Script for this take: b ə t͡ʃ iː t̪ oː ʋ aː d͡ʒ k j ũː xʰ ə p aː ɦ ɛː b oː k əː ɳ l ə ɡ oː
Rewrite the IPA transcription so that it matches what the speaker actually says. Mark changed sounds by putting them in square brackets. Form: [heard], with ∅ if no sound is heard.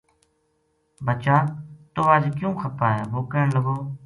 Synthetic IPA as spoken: b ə t͡ʃ [aː] t̪ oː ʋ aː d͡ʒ k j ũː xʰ ə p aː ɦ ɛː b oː k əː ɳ l ə ɡ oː